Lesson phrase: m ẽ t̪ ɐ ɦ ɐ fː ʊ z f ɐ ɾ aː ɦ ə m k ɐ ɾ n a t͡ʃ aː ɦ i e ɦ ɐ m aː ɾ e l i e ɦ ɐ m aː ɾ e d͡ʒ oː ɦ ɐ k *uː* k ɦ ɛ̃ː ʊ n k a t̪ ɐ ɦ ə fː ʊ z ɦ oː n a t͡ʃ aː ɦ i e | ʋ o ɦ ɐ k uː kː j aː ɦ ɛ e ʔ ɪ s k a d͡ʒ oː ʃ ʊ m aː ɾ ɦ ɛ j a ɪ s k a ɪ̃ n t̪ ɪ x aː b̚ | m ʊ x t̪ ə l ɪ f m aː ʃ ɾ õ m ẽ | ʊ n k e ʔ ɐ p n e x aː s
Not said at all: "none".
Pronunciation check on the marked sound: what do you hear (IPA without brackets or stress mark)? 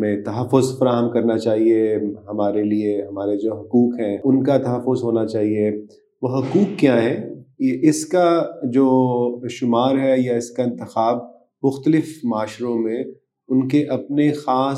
uː